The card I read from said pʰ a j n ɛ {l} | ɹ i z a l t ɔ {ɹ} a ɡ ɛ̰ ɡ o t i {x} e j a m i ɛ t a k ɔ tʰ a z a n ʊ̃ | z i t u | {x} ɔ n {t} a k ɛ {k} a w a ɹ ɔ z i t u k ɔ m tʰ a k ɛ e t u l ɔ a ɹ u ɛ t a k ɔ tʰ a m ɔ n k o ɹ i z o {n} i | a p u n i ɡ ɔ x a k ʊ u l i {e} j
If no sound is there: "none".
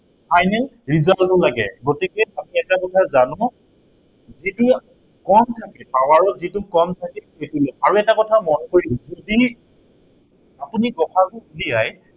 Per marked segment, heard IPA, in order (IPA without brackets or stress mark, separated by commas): l, l, k, k, tʰ, p, d, a